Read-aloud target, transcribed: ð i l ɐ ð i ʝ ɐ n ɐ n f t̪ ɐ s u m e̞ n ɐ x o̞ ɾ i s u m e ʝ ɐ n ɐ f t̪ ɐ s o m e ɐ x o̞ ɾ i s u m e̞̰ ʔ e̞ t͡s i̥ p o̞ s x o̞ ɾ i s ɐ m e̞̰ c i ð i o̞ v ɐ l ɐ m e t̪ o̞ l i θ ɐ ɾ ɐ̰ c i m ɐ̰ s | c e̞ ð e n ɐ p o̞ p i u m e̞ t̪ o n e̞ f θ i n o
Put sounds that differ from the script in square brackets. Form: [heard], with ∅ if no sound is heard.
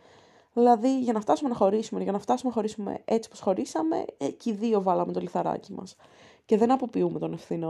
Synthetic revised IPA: ð i l ɐ ð i ʝ ɐ n ɐ [∅] f t̪ ɐ s u m e̞ n ɐ x o̞ ɾ i s u m e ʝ ɐ n ɐ f t̪ ɐ s [u] m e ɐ x o̞ ɾ i s u m e̞̰ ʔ e̞ t͡s i̥ p o̞ s x o̞ ɾ i s ɐ m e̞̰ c i ð i o̞ v ɐ l ɐ m e t̪ o̞ l i θ ɐ ɾ ɐ̰ c i m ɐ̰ s | c e̞ ð e n ɐ p o̞ p i u m e̞ t̪ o n e̞ f θ i n o